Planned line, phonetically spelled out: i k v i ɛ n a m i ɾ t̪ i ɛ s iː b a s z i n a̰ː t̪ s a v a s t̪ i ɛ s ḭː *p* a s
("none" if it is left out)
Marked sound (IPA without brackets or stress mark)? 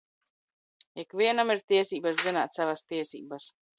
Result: b